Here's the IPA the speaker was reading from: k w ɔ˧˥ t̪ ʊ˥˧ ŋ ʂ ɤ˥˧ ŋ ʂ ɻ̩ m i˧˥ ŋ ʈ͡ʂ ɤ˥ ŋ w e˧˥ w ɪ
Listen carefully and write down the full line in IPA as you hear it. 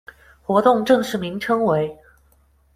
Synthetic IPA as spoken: x w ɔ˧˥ t̪ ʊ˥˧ ŋ ʈ͡ʂ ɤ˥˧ ŋ ʂ ɻ̩ m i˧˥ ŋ ʈ͡ʂʰ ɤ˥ ŋ w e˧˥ ɪ

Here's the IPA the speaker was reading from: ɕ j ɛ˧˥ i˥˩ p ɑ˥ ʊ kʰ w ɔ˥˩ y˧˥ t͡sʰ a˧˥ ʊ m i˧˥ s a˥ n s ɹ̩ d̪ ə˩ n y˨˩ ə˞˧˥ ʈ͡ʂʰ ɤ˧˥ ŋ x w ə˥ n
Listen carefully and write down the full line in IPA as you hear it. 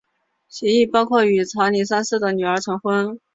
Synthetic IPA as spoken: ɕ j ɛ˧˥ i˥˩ p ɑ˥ ʊ kʰ w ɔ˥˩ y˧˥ t͡sʰ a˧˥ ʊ n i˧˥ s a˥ n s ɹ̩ d̪ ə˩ n y˨˩ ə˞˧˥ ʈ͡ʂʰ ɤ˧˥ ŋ x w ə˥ n

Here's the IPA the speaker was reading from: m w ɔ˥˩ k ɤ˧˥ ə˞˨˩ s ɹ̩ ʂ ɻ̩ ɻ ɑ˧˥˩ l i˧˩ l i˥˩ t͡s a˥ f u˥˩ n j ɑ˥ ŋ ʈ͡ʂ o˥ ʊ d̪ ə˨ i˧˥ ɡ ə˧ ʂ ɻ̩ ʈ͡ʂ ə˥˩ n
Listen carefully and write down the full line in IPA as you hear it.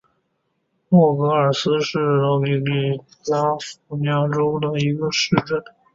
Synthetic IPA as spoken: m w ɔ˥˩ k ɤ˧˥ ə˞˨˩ s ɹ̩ ʂ ɻ̩ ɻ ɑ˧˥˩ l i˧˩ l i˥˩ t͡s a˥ f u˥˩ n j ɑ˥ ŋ ʈ͡ʂ o˥ ʊ d̪ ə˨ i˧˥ ɡ ə˧ ʂ ɻ̩ ʈ͡ʂ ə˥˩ n

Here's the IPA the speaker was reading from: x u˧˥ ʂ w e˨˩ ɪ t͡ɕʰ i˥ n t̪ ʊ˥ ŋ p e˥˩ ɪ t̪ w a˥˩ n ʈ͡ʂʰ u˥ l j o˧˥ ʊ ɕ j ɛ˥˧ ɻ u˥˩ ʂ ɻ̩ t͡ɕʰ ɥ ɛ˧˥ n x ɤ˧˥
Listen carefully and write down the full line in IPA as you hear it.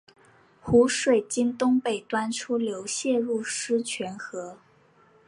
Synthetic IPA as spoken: x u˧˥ ʂ w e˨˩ ɪ t͡ɕ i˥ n t̪ ʊ˥ ŋ p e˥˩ ɪ t̪ w a˥ n ʈ͡ʂʰ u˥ l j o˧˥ ʊ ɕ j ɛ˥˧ ɻ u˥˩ ʂ ɻ̩ t͡ɕʰ ɥ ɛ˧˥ n x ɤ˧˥

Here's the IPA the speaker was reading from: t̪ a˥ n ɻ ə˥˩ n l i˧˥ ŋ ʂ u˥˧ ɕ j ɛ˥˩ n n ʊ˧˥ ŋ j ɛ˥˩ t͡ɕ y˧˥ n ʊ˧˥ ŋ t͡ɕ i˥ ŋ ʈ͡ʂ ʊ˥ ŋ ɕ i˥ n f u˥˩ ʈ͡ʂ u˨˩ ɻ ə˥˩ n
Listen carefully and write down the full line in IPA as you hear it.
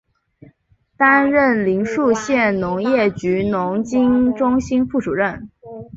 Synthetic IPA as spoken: t̪ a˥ n ɻ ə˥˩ n l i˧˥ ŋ ʂ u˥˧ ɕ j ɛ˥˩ n n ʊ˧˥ ŋ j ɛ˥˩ t͡ɕ y˧˥ n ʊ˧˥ ŋ t͡ɕ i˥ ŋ ʈ͡ʂ ʊ˥ ŋ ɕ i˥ n f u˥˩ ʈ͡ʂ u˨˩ ɻ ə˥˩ n

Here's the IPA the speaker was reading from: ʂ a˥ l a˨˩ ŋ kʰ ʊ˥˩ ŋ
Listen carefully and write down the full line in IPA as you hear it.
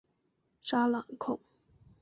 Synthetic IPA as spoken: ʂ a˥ l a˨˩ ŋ kʰ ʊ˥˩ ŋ

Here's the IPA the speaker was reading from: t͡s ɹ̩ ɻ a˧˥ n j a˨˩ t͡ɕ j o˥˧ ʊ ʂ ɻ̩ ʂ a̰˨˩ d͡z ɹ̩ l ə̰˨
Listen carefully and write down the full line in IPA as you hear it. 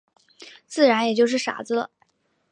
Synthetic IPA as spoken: t͡s ɹ̩ ɻ a˧˥ n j ɛ˨˩ t͡ɕ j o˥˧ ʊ ʂ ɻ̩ ʂ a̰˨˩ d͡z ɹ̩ l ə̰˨

